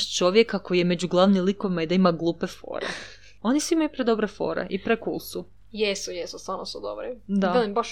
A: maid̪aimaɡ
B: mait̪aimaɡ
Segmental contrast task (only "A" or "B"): A